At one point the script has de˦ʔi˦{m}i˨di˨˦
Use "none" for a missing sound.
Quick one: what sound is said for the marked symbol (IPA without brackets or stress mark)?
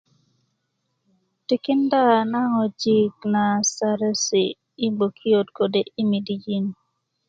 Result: m